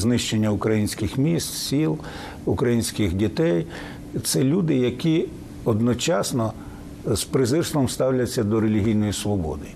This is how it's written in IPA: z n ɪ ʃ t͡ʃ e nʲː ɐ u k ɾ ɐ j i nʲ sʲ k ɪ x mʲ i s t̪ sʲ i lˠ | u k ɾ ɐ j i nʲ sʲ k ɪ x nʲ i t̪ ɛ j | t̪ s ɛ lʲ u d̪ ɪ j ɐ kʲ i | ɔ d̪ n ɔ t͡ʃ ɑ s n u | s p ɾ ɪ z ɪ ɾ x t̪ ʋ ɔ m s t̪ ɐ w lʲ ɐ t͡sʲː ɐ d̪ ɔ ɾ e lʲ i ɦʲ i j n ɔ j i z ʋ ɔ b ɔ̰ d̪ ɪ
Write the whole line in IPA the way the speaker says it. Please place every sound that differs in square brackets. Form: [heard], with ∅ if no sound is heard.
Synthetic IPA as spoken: z n ɪ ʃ t͡ʃ e nʲː ɐ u k ɾ ɐ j i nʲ sʲ k ɪ x mʲ i s t̪ sʲ i lˠ | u k ɾ ɐ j i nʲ sʲ k ɪ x [dʲ] i t̪ ɛ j | t̪ s ɛ lʲ u d̪ ɪ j ɐ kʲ i | ɔ d̪ n ɔ t͡ʃ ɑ s n [ɔ] | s p ɾ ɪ z ɪ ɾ [s] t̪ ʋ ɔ m s t̪ [ɑ] w lʲ ɐ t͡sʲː ɐ d̪ ɔ ɾ e lʲ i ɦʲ i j n ɔ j i [s] ʋ ɔ b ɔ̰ d̪ ɪ